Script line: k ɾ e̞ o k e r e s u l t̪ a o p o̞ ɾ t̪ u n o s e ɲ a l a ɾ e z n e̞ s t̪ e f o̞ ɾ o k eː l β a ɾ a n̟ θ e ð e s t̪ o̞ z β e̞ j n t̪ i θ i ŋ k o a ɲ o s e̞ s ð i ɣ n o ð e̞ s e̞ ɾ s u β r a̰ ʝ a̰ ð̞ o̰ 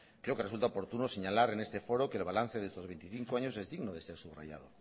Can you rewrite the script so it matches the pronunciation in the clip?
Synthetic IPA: k ɾ e̞ o k e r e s u l t̪ a o p o̞ ɾ t̪ u n o s e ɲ a l a ɾ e n e̞ s t̪ e f o̞ ɾ o k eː l β a l a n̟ θ e ð e s t̪ o̞ z β e̞ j n t̪ i θ i ŋ k o a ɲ o s e̞ z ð i ɣ n o ð e̞ s e̞ ɾ s u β r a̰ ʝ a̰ ð̞ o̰